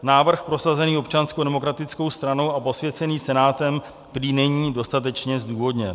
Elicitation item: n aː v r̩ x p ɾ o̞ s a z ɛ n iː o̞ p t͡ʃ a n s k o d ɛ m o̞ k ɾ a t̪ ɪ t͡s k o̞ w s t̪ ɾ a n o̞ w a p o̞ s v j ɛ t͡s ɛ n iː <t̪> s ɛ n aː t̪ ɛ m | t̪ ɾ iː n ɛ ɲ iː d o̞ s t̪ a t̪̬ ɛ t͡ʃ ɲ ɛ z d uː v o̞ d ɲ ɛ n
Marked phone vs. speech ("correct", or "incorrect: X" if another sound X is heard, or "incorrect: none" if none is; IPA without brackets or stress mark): incorrect: none